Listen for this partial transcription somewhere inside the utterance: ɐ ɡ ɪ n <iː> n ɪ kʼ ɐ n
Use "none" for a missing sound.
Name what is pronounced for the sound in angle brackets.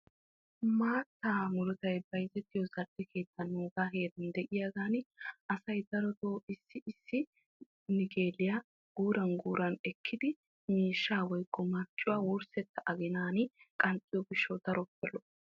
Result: aː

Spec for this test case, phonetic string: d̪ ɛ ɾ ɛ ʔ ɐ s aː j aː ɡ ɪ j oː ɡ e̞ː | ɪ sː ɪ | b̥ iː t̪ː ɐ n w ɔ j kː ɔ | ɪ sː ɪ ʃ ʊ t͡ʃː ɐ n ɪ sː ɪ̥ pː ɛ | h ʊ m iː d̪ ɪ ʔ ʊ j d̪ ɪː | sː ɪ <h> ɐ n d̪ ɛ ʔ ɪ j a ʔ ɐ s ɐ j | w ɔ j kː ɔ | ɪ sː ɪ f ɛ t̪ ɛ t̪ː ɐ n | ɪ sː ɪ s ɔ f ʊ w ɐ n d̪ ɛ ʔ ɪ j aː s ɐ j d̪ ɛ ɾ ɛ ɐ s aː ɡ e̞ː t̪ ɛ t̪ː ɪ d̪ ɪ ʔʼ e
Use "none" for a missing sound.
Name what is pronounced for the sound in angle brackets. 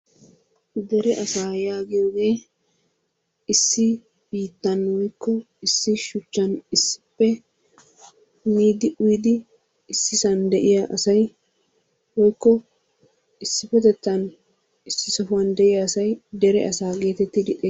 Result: s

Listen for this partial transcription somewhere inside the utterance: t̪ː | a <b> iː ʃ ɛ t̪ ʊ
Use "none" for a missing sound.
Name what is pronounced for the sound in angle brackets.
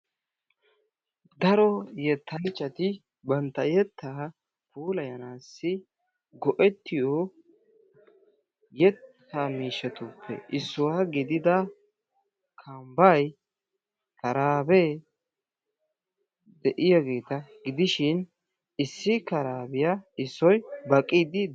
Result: m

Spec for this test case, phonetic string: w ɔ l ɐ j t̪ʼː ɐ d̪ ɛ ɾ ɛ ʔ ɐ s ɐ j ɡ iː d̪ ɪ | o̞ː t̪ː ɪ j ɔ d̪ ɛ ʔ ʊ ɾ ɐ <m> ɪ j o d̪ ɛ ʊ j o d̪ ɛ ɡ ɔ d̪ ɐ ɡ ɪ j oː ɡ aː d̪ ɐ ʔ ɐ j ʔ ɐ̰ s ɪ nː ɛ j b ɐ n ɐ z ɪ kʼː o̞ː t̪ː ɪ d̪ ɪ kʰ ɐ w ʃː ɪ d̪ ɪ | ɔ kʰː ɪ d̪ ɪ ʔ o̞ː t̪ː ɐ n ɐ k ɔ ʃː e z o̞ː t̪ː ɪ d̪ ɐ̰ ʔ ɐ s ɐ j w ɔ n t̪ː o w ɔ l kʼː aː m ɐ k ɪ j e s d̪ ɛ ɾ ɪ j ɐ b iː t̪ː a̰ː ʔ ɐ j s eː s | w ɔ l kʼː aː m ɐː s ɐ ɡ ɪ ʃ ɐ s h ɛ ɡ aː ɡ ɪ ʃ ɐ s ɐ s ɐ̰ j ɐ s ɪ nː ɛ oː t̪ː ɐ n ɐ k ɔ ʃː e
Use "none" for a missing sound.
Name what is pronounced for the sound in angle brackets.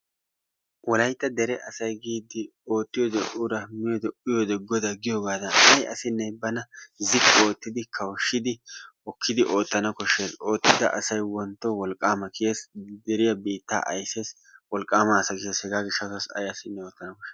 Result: m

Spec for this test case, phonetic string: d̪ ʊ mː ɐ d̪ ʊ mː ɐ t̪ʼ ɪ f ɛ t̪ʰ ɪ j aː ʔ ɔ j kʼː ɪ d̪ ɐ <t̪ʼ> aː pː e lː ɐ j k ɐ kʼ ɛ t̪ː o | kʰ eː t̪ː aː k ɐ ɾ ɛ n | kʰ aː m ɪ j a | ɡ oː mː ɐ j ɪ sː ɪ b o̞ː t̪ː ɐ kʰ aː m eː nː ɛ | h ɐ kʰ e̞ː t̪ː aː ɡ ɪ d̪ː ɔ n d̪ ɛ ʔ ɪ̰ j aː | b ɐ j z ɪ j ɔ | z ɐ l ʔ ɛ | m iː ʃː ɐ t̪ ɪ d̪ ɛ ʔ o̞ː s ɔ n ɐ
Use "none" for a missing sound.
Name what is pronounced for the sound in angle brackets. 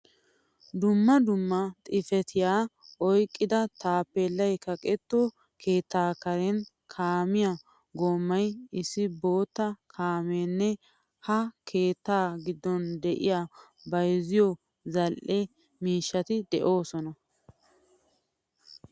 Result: t̪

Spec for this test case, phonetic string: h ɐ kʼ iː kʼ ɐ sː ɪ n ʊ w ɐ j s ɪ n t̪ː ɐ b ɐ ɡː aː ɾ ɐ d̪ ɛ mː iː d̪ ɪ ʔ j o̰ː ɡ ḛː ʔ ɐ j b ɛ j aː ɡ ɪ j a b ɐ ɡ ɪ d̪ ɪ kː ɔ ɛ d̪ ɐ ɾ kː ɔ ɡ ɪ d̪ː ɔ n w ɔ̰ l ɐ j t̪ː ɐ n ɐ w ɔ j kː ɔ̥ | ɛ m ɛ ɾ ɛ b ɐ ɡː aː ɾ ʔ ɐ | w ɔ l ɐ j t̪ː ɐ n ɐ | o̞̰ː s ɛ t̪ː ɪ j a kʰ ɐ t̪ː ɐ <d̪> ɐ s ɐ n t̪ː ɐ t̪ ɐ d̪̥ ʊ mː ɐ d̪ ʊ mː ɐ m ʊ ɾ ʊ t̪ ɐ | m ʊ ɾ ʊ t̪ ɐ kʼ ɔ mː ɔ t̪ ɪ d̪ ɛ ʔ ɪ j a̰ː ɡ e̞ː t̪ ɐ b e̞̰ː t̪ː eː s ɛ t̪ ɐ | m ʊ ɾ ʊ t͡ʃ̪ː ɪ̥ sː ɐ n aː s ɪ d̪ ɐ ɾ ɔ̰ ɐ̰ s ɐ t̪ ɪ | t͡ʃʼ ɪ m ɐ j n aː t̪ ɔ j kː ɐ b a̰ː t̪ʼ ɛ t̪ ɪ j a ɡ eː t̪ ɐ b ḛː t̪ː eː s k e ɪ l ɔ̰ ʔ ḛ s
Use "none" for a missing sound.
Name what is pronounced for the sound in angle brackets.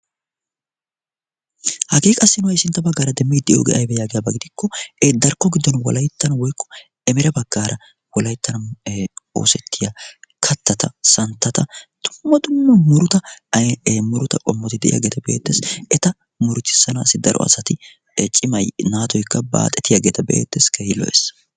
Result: t̪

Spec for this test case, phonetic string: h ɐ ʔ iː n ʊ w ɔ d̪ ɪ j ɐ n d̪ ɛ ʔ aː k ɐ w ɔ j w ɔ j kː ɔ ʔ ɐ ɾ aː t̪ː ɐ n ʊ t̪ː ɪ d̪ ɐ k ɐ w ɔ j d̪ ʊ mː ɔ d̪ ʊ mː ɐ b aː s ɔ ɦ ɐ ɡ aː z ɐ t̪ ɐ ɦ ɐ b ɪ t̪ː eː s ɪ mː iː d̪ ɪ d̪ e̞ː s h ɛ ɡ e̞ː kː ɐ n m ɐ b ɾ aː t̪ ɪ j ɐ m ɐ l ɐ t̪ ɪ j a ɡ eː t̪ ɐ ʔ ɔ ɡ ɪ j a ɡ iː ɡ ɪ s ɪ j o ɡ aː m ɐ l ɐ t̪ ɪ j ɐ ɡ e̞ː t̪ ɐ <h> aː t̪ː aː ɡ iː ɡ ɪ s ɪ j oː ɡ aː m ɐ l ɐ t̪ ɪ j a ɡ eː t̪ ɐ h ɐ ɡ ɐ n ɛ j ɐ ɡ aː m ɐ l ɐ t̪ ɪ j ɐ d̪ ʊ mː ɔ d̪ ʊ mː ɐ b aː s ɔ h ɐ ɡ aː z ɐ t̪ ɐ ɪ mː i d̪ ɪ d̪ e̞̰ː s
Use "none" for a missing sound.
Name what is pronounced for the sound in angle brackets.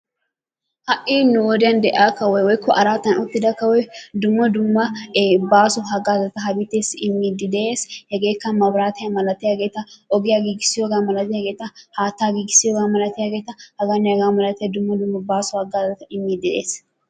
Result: h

